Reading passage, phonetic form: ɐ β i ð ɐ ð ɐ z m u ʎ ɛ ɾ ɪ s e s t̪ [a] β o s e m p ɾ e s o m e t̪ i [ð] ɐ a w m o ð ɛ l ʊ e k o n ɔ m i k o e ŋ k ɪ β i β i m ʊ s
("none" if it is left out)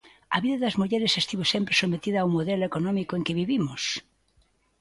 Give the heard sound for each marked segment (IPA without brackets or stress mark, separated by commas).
i, ð